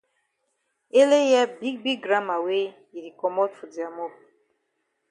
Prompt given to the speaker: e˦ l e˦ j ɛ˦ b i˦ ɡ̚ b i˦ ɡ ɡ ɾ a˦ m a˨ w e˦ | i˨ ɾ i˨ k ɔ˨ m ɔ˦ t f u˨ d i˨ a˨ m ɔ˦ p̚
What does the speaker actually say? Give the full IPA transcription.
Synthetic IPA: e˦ l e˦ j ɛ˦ b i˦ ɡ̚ b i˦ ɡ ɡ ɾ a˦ m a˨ w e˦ | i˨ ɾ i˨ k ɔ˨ m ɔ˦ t f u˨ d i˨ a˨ m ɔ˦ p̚